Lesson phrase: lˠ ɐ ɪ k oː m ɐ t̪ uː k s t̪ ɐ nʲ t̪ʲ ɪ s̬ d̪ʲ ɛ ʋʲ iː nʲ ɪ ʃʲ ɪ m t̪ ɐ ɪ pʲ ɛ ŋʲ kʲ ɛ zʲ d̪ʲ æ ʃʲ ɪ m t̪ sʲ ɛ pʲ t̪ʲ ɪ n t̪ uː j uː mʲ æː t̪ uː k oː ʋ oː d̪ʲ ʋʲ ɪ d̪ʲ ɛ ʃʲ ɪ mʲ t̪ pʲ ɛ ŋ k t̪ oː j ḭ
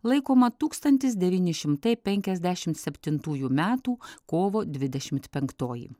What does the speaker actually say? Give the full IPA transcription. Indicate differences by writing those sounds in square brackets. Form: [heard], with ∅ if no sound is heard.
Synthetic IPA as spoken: lˠ ɐ ɪ k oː m ɐ t̪ uː k s t̪ ɐ nʲ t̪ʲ ɪ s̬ d̪ʲ ɛ ʋʲ iː nʲ ɪ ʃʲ ɪ m t̪ ɐ ɪ pʲ ɛ ŋʲ kʲ ɛ zʲ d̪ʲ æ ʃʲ ɪ m t̪ sʲ ɛ pʲ t̪ʲ ɪ n t̪ uː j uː mʲ æː t̪ uː k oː ʋ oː d̪ʲ ʋʲ ɪ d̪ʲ ɛ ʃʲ ɪ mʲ t̪ pʲ ɛ ŋ k t̪ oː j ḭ